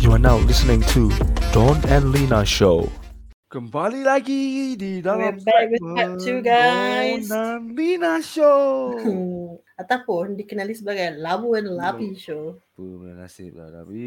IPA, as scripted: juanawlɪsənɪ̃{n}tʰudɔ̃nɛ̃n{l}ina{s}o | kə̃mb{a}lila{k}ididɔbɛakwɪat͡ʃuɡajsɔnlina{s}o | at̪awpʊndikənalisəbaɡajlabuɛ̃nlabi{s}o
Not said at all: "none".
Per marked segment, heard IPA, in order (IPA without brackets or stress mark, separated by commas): ŋ, l, ʃ, a, ɡ, ʃ, ʃ